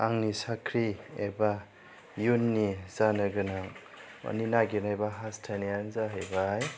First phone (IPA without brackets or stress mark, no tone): a